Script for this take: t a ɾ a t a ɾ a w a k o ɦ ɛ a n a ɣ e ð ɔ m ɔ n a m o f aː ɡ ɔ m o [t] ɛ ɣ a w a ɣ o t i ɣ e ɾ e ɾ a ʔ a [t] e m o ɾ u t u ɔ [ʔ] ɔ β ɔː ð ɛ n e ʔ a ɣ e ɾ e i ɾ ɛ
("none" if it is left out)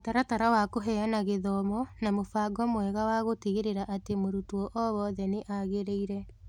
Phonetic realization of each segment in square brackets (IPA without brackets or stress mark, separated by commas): none, t, ʔ